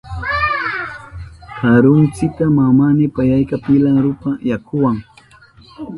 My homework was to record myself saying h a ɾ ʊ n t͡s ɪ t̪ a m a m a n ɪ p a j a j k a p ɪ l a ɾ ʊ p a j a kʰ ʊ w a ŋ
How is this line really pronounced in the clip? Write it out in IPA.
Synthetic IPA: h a ɾ ʊ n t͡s ɪ t̪ a m a m a n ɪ p a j a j k a p ɪ l a ɾ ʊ p a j a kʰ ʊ w a ŋ

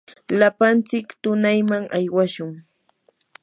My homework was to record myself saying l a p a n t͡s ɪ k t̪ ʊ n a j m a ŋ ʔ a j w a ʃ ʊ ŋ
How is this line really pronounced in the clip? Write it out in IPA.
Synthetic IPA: l a p a n t͡s ɪ k t̪ ʊ n a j m a ŋ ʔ a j w a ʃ ʊ ŋ

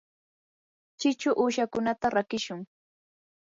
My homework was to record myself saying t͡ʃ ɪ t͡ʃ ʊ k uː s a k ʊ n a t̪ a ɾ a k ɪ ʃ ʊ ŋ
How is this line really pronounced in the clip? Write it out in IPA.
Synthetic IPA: t͡ʃ ɪ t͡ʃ ʊ ʔ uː ʃ a k ʊ n a t̪ a ɾ a k ɪ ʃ ʊ ŋ

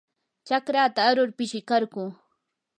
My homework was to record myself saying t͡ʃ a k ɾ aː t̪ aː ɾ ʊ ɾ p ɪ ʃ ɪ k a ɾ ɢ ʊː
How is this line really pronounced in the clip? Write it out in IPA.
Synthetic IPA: t͡ʃ a k ɾ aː t̪ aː ɾ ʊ ɾ p ɪ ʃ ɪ k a ɾ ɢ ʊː

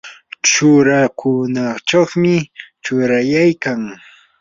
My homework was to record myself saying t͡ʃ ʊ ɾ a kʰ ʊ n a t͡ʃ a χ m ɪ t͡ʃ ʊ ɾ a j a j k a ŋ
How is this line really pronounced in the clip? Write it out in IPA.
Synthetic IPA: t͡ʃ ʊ ɾ a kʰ ʊ n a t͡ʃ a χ m ɪ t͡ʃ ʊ ɾ a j a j k a ŋ

